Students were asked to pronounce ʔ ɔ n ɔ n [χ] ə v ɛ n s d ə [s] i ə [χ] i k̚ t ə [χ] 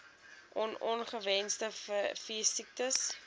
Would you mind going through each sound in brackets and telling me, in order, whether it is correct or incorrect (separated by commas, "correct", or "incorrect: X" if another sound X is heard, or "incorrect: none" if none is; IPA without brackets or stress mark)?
correct, incorrect: f, incorrect: s, incorrect: s